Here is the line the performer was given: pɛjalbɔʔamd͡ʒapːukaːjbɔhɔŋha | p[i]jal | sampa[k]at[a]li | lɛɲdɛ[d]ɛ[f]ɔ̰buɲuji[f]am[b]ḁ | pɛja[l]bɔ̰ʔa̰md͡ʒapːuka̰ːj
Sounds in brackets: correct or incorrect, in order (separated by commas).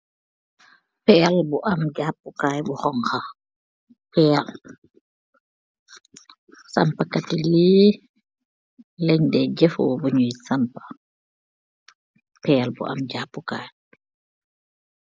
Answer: incorrect, correct, incorrect, incorrect, correct, incorrect, incorrect, correct